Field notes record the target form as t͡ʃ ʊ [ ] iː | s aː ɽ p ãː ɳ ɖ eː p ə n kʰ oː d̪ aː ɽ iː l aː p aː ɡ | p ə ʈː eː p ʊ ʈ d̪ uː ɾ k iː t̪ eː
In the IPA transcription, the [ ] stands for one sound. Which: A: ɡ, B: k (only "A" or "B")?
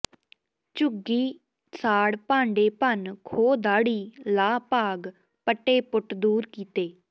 A